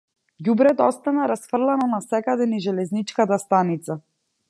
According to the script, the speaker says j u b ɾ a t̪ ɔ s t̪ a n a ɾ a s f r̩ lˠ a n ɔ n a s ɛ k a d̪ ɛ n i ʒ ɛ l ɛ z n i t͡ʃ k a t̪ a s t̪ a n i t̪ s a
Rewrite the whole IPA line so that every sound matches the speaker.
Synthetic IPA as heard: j u b ɾ ɛ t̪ ɔ s t̪ a n a ɾ a s f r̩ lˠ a n ɔ n a s ɛ k a d̪ ɛ n i ʒ ɛ l ɛ z n i t͡ʃ k a t̪ a s t̪ a n i t̪ s a